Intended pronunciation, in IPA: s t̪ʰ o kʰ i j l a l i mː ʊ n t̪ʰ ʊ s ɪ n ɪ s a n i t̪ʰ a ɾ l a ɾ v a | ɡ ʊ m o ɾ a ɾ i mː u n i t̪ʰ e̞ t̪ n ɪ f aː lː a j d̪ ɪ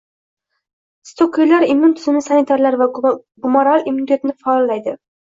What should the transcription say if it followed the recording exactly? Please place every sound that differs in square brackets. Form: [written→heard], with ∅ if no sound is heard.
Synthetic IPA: s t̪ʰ o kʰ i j l a [l→ɾ] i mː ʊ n t̪ʰ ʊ [s→z] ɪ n ɪ s a n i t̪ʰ a ɾ l a ɾ v a | ɡ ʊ m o ɾ a [ɾ→l] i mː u n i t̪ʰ e̞ t̪ n ɪ f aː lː a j d̪ ɪ